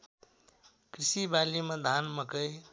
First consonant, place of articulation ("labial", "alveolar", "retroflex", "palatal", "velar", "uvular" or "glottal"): velar